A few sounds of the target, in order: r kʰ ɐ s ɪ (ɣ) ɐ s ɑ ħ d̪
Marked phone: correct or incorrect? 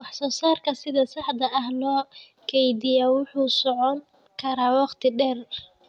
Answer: incorrect